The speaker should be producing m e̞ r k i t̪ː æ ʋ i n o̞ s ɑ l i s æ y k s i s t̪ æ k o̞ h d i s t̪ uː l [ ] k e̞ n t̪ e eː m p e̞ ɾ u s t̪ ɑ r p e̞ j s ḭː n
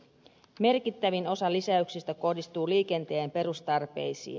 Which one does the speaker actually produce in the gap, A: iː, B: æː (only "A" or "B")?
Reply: A